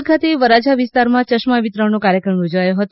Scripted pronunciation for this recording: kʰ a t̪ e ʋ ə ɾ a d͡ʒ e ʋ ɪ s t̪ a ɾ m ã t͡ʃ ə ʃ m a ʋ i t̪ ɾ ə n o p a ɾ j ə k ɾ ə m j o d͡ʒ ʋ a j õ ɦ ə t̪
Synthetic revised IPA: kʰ a t̪ e ʋ ə ɾ a d͡ʒ a ʋ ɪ s t̪ a ɾ m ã t͡ʃ ə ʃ m a ʋ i t̪ ɾ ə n o k a ɾ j ə k ɾ ə m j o d͡ʒ ʋ a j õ ɦ ə t̪